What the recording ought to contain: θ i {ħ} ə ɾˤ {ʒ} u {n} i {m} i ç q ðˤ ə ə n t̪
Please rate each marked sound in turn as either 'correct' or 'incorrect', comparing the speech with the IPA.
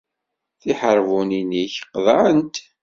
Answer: correct, incorrect, correct, incorrect

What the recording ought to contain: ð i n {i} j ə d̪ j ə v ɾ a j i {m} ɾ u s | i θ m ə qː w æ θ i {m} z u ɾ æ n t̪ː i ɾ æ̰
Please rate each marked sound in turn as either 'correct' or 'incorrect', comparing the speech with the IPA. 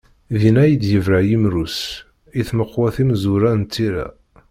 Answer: incorrect, correct, correct

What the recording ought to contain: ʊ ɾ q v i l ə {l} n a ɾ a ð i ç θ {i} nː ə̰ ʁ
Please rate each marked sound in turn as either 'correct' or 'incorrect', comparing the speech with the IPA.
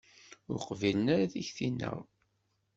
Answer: incorrect, correct

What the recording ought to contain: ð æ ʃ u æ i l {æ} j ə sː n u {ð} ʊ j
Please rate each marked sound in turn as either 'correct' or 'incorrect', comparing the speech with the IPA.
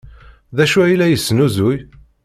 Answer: correct, incorrect

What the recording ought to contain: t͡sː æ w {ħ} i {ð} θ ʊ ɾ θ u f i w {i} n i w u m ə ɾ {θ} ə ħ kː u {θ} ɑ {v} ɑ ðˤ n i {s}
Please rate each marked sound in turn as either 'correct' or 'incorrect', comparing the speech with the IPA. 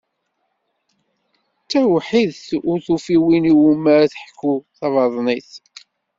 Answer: correct, correct, correct, correct, correct, correct, incorrect

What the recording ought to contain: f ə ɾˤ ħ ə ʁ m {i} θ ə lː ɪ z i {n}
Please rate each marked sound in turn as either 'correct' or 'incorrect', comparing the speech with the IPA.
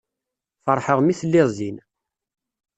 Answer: correct, correct

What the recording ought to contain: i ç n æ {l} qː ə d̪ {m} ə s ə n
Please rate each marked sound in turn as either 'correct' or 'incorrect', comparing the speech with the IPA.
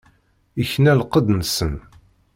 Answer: correct, incorrect

